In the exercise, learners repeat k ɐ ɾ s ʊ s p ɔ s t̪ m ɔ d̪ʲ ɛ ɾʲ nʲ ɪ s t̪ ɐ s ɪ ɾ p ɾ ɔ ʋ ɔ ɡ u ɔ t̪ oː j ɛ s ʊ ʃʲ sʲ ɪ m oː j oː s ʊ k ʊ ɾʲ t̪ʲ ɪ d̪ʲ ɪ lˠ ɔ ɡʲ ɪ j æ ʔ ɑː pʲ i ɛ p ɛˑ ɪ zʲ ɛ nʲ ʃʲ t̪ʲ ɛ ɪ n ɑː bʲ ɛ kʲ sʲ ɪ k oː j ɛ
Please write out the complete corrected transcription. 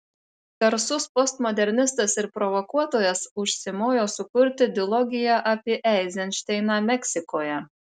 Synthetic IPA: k ɐ ɾ s ʊ s p ɔ s t̪ m ɔ d̪ʲ ɛ ɾʲ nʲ ɪ s t̪ ɐ s ɪ ɾ p ɾ ɔ ʋ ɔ k u ɔ t̪ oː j ɛ s ʊ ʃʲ sʲ ɪ m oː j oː s ʊ k ʊ ɾʲ t̪ʲ ɪ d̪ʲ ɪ lˠ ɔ ɡʲ ɪ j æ ʔ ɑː pʲ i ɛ ʔ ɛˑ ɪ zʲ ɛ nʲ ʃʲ t̪ʲ ɛ ɪ n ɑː mʲ ɛ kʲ sʲ ɪ k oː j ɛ